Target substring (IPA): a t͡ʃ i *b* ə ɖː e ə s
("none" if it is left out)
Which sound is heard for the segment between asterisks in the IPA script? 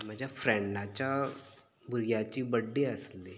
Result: b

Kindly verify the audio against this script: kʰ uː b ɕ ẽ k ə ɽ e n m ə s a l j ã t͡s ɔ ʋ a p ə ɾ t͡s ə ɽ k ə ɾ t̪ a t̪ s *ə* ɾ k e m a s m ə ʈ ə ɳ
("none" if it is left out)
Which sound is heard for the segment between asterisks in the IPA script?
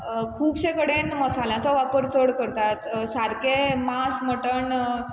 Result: a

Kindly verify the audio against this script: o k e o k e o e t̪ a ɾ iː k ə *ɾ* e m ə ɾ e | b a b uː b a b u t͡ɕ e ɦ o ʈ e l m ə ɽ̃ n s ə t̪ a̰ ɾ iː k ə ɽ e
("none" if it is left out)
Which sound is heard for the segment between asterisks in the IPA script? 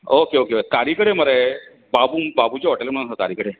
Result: ɽ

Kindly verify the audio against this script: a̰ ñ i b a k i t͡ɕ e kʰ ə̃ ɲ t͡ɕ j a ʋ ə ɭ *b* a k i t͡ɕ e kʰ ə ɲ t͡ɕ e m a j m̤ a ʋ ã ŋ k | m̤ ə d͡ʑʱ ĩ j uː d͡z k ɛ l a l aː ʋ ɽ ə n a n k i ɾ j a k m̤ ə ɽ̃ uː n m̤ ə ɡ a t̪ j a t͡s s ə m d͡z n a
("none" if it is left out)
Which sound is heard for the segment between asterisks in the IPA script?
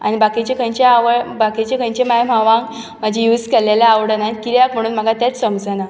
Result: b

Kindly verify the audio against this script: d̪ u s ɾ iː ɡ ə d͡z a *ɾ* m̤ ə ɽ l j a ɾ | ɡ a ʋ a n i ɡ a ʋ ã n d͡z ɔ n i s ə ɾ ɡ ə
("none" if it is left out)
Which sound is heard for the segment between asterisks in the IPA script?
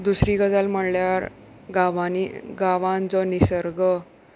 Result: l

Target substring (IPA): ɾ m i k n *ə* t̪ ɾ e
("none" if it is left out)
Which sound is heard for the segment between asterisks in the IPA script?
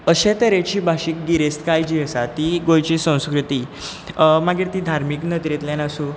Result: ə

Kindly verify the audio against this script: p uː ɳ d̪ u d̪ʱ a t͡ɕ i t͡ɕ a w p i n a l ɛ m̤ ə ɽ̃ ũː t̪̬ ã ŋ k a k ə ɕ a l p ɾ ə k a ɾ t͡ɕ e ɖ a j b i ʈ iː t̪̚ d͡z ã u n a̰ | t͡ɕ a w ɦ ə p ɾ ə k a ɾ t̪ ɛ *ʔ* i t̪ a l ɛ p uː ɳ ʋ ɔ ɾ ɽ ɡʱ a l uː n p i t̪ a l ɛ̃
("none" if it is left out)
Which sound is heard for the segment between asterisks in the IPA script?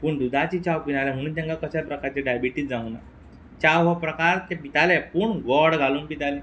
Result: p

